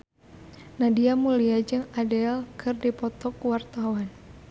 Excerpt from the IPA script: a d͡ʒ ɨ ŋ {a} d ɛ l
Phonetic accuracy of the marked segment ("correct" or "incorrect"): correct